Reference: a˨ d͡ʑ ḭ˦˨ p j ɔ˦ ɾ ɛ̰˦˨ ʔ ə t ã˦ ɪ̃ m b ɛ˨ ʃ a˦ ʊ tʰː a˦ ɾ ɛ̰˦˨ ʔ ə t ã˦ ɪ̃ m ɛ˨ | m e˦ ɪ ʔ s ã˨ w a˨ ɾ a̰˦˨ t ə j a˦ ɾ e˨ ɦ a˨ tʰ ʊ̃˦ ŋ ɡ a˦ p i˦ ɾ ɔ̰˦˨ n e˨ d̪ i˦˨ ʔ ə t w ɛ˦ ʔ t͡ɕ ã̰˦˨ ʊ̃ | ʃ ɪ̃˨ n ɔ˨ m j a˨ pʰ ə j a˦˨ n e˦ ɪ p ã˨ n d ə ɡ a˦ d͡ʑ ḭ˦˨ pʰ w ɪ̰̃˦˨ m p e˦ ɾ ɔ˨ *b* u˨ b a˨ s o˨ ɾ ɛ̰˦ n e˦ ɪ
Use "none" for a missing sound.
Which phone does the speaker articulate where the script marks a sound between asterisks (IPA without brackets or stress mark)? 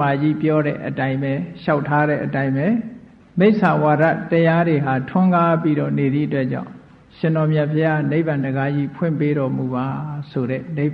m